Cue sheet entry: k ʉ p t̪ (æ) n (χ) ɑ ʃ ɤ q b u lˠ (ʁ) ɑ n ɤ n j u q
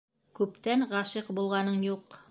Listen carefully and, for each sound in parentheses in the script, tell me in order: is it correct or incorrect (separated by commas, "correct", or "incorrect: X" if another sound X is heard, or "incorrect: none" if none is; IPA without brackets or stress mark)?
correct, incorrect: ʁ, correct